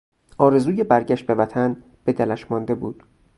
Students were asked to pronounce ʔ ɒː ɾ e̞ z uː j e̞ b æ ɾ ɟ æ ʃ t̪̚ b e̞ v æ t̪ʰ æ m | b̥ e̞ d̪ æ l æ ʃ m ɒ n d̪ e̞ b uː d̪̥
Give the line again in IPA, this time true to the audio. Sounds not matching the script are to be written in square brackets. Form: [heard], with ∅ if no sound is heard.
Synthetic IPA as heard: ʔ ɒː ɾ e̞ z uː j e̞ b æ ɾ ɟ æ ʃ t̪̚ b e̞ v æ t̪ʰ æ [n] | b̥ e̞ d̪ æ l æ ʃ m ɒ n d̪ e̞ b uː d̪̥

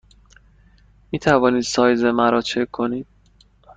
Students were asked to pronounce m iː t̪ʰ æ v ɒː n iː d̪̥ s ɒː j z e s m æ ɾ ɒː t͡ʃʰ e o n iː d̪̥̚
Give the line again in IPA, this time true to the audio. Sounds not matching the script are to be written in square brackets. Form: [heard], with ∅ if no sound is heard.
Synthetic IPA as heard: m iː t̪ʰ æ v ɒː n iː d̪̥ s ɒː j z e [∅] m æ ɾ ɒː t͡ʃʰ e o n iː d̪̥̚

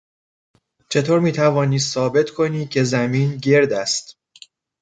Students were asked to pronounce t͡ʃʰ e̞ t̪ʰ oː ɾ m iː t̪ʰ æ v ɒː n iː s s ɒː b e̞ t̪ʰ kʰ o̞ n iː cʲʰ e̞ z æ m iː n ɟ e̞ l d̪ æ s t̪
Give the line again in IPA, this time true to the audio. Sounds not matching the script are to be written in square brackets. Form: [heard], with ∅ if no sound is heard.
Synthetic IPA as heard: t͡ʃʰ e̞ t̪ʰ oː ɾ m iː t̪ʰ æ v ɒː n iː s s ɒː b e̞ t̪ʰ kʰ o̞ n iː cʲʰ e̞ z æ m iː n ɟ e̞ [ɾ] d̪ æ s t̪

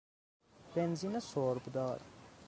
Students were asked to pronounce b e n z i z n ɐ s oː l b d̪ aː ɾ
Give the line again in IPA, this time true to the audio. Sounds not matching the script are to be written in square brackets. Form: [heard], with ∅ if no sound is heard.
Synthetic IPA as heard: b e n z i [∅] n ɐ s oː [ɾ] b d̪ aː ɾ

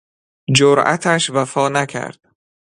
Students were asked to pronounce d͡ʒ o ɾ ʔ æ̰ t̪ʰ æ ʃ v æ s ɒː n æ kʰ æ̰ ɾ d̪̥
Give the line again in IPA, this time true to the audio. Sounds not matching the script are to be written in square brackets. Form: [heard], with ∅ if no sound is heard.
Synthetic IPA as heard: d͡ʒ o ɾ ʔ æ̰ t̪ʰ æ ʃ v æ [f] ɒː n æ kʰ æ̰ ɾ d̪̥

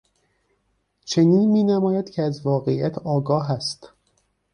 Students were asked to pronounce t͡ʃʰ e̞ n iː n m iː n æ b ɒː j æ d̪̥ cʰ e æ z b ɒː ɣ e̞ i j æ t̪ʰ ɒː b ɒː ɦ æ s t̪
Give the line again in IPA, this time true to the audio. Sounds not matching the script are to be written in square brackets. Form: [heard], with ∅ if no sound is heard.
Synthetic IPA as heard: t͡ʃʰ e̞ n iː n m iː n æ [m] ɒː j æ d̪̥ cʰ e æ z [v] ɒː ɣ e̞ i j æ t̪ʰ ɒː [ɡ] ɒː ɦ æ s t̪

